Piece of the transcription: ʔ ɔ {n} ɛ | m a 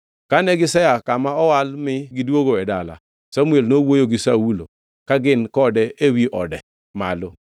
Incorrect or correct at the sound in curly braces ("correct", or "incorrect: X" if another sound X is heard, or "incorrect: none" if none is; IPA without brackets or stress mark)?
incorrect: d